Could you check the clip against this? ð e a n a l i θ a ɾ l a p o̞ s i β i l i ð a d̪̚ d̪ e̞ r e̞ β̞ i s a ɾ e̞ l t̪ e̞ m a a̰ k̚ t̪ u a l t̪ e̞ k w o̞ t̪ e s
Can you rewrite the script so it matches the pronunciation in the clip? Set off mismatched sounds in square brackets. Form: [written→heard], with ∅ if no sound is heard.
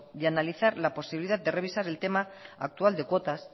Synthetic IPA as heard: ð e a n a l i θ a ɾ l a p o̞ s i β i l i ð a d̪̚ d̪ e̞ r e̞ β̞ i s a ɾ e̞ l t̪ e̞ m a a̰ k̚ t̪ u a l [t̪→d̪] e̞ k w o̞ t̪ [e→a] s